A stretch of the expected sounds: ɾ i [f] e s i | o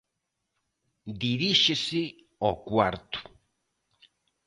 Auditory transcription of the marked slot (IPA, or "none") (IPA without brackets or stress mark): ʃ